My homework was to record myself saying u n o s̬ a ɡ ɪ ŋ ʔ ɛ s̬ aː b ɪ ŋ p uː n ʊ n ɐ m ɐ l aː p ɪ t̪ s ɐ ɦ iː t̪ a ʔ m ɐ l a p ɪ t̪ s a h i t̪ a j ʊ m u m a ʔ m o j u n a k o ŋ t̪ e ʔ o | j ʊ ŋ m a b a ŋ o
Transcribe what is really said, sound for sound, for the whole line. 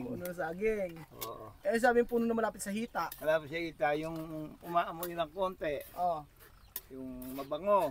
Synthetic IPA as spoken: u n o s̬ a ɡ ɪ ŋ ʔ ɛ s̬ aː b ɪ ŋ p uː n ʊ n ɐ m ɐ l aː p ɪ t̪ s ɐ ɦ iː t̪ a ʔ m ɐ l a p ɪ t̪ s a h i t̪ a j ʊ ŋ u m a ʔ m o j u n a k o n t̪ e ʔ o | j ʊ ŋ m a b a ŋ o